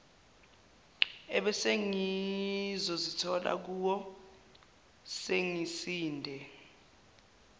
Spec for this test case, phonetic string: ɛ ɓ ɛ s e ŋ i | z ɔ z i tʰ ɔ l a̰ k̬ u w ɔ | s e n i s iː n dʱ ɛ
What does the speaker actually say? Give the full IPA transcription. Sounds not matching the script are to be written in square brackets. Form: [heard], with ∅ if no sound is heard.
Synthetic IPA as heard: ɛ ɓ ɛ s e ŋ i | z ɔ z i tʰ ɔ l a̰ k̬ u w ɔ | s e [ŋ] i s iː n dʱ ɛ

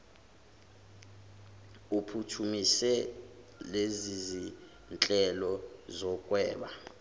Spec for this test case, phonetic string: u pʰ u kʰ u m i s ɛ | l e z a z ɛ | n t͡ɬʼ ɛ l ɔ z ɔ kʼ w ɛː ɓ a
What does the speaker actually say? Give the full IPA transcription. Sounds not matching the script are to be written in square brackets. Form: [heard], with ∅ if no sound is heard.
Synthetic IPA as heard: u pʰ u [tʰ] u m i s ɛ | l e z [i] z [i] | n t͡ɬʼ ɛ l ɔ z ɔ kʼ w ɛː ɓ a

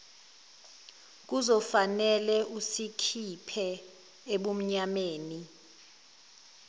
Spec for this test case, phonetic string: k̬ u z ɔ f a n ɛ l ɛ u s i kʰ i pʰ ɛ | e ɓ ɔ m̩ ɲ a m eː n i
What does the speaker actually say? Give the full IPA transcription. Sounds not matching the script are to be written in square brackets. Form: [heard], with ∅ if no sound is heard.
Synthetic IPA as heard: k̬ u z ɔ f a n ɛ l ɛ u s i kʰ i pʰ ɛ | e ɓ [u] m̩ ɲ a m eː n i

